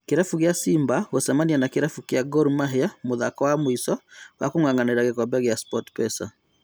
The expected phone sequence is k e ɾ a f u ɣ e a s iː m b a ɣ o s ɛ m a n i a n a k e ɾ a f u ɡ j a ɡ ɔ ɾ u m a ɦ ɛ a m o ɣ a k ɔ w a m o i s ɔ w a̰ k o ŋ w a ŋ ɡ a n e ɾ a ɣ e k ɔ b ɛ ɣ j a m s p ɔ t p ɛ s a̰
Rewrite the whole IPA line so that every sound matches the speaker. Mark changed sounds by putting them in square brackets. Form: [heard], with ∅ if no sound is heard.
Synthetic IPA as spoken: k e ɾ a f u ɣ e a s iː m b a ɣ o s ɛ m a n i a n a k e ɾ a f u [k] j a ɡ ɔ ɾ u m a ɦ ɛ a m o [ð] a k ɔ w a m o i s ɔ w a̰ k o ŋ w a ŋ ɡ a n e ɾ a ɣ e k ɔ b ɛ ɣ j a [∅] s p ɔ t p ɛ s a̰